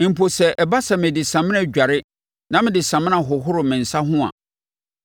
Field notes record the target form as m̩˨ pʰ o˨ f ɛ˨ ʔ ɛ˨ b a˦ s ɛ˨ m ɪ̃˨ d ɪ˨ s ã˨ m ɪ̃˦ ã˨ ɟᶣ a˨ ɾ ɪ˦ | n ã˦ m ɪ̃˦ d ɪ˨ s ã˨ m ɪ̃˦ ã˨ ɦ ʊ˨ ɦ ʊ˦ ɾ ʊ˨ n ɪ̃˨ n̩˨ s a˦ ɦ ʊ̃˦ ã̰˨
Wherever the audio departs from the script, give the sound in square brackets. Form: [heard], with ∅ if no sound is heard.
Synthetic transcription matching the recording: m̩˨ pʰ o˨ [s] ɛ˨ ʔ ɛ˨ b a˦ s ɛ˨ m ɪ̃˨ d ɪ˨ s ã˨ m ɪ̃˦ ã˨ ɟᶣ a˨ ɾ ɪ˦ | n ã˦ m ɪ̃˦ d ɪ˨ s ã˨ m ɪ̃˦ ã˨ ɦ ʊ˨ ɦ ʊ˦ ɾ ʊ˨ [m] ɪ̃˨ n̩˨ s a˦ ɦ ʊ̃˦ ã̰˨